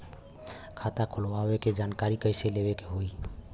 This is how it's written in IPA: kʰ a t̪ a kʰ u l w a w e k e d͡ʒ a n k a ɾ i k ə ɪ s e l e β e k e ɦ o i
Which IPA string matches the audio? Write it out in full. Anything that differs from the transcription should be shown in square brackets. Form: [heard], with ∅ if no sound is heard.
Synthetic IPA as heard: kʰ a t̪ a kʰ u l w a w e k e d͡ʒ a n k a ɾ i k ə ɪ s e l e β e k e ɦ o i